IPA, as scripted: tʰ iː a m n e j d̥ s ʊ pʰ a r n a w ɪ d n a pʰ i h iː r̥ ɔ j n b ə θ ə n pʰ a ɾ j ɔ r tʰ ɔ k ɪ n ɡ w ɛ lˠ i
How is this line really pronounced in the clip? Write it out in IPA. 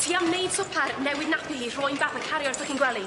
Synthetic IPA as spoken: tʰ iː a m n e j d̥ s ʊ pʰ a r n ɛ w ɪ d n a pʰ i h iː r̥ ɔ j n b a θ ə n kʰ a ɾ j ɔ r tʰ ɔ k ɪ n ɡ w ɛ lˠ i